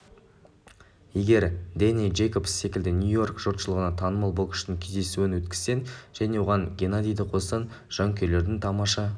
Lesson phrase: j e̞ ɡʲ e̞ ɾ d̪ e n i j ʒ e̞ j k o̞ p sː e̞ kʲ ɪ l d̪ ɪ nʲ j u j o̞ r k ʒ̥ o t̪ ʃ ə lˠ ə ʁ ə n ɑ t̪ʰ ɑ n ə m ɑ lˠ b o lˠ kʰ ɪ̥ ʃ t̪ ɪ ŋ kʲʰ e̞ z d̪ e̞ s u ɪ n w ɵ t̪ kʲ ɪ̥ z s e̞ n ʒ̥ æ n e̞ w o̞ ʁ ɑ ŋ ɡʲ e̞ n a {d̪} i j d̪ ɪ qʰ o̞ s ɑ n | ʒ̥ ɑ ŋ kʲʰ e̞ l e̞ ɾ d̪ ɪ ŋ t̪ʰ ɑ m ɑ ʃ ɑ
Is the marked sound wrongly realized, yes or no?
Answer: no